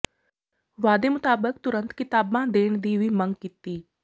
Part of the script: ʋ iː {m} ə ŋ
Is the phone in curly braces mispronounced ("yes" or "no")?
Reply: no